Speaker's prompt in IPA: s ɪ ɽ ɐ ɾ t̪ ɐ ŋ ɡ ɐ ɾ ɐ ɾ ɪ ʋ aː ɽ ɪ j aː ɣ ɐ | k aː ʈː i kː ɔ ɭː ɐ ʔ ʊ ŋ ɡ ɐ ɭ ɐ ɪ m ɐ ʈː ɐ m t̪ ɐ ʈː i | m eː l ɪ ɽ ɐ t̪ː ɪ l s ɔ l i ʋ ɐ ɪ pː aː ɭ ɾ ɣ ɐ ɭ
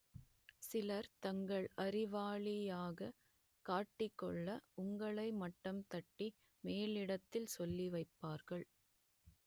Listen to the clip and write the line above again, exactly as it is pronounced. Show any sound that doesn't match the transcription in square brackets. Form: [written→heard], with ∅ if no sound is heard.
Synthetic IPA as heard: s ɪ [ɽ→l] ɐ ɾ t̪ ɐ ŋ ɡ ɐ [ɾ→ɭ] ɐ ɾ ɪ ʋ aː [ɽ→ɭ] ɪ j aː ɣ ɐ | k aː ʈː [i→ɪ] kː ɔ ɭː ɐ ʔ ʊ ŋ ɡ ɐ ɭ ɐ ɪ m ɐ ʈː ɐ m t̪ ɐ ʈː i | m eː l ɪ ɽ ɐ t̪ː ɪ l s ɔ [l→lː] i ʋ ɐ ɪ pː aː [ɭ→∅] ɾ ɣ ɐ ɭ